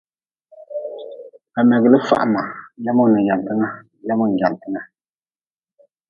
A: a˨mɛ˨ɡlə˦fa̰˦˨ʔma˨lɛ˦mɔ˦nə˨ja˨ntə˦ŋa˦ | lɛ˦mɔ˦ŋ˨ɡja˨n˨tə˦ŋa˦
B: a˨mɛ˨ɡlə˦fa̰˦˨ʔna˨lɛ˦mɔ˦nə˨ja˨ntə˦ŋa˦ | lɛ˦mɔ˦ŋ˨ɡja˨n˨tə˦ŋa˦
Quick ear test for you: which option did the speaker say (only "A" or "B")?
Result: A